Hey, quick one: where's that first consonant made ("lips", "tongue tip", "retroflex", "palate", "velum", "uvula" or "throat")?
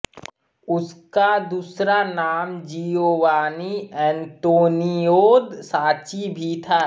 tongue tip